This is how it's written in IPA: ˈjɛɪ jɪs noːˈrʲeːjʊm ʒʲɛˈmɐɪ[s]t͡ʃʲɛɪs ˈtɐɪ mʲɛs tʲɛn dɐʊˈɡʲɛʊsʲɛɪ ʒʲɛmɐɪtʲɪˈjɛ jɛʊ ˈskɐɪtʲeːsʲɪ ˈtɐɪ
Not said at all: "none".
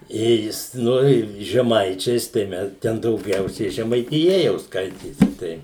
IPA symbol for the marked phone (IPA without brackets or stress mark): none